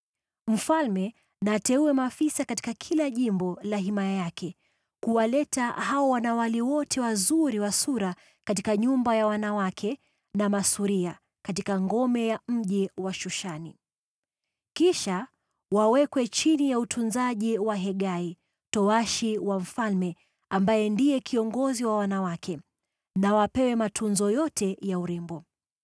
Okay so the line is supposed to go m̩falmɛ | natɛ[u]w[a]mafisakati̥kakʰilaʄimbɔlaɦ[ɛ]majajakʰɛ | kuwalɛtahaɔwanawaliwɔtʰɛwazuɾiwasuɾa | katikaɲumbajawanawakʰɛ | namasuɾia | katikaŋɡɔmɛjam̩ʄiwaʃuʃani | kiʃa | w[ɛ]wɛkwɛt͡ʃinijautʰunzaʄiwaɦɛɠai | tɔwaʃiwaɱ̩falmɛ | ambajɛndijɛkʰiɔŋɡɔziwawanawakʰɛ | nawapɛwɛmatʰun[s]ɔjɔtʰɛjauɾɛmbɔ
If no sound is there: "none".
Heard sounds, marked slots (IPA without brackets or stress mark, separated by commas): u, ɛ, i, a, z